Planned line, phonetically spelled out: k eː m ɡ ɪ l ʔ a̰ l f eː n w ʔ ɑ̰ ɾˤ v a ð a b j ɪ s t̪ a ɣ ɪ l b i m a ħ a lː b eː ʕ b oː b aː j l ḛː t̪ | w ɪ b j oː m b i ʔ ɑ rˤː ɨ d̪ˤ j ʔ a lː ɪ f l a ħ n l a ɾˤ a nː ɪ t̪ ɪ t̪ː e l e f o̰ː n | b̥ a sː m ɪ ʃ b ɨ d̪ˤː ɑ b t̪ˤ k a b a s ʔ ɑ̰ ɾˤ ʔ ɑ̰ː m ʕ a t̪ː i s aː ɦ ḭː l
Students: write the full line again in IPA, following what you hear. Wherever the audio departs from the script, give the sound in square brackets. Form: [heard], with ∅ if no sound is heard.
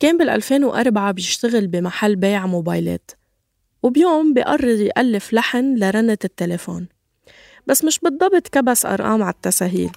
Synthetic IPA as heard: k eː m [b] ɪ l ʔ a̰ l f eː n w ʔ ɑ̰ ɾˤ [b] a [ʕ] a b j ɪ [ʃ] t̪ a ɣ ɪ l b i m a ħ a lː b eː ʕ [m] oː b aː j l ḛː t̪ | w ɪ b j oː m b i ʔ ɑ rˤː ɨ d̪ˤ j ʔ a lː ɪ f l a ħ n l a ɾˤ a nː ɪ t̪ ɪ t̪ː e l e f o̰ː n | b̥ a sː m ɪ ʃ b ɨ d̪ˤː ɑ b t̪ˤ k a b a s ʔ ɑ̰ ɾˤ ʔ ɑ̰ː m ʕ a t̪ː [a] s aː ɦ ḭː l